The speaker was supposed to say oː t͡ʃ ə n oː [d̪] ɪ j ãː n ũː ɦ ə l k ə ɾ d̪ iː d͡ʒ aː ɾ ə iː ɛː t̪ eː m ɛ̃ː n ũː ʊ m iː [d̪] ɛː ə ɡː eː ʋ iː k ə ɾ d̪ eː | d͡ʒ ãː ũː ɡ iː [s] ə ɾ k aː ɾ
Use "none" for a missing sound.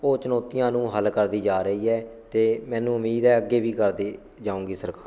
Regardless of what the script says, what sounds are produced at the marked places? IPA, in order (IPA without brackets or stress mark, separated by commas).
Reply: t̪, d̪, s